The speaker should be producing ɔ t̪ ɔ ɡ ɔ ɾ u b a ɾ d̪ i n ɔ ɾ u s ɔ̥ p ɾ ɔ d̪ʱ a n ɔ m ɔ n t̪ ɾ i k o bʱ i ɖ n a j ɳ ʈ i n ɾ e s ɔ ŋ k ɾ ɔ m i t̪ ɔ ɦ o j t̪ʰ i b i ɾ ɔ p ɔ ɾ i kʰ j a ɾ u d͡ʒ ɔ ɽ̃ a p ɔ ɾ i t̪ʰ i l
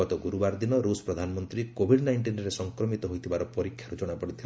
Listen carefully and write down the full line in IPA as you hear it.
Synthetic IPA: ɔ t̪ ɔ ɡ u ɾ u b a ɾ d̪ i n ɔ ɾ u s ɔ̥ p ɾ ɔ d̪ʱ a n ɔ m ɔ n t̪ ɾ i k o bʱ i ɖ n a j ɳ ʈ i n ɾ e s ɔ ŋ k ɾ ɔ m i t̪ ɔ ɦ o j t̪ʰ i b a ɾ ɔ p ɔ ɾ i kʰ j a ɾ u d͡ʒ ɔ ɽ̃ a p ɔ ɽ i t̪ʰ i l